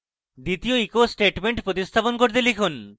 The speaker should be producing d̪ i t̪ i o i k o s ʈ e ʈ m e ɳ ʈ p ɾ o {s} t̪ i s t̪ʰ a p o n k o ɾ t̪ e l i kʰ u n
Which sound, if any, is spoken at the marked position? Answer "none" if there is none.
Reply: none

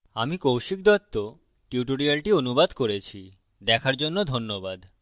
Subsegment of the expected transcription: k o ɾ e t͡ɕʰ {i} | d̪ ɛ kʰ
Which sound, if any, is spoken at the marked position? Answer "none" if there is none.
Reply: i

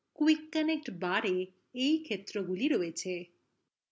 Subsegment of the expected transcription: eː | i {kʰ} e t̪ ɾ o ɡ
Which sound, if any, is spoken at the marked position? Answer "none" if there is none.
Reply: kʰ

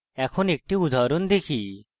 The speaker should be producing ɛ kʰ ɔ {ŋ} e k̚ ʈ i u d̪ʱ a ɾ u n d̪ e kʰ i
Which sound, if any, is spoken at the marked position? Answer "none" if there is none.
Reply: n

